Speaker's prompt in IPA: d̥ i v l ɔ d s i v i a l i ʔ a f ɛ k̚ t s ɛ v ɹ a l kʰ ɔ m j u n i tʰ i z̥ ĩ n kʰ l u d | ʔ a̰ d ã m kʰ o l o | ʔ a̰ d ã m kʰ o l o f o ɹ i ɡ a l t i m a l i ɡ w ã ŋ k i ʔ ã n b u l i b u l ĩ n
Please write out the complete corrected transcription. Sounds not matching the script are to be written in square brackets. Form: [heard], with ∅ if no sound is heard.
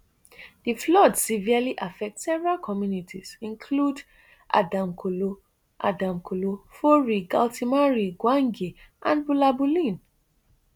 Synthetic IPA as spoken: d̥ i [f] l ɔ d s i v i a l i ʔ a f ɛ k̚ t s ɛ v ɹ a l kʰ ɔ m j u n i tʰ i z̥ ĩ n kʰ l u d | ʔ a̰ d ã m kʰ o l o | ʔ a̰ d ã m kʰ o l o f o ɹ i ɡ a l t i m a [ɹ] i ɡ w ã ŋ [ɡ] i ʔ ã n b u l [a] b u l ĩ n